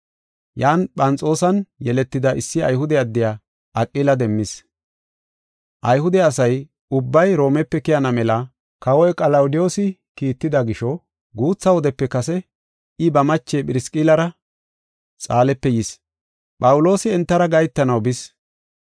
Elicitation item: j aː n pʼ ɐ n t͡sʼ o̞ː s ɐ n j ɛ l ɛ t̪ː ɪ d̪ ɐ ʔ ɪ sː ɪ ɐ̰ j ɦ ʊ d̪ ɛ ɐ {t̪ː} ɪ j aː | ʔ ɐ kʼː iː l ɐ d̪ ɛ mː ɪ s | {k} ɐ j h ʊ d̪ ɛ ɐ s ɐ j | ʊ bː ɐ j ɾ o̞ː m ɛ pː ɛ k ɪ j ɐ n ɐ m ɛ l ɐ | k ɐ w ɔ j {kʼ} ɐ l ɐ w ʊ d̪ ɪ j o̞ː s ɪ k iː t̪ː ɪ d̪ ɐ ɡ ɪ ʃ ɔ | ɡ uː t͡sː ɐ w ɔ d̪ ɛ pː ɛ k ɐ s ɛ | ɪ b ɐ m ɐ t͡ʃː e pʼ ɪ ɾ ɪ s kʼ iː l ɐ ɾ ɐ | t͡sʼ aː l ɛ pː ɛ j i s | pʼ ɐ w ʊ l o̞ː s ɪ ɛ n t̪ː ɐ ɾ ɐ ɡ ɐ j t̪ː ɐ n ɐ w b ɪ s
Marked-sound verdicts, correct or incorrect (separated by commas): incorrect, incorrect, correct